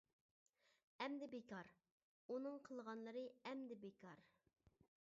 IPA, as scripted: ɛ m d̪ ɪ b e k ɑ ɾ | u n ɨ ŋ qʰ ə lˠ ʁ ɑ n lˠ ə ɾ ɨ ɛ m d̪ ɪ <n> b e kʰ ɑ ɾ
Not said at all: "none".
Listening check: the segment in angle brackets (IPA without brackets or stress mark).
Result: none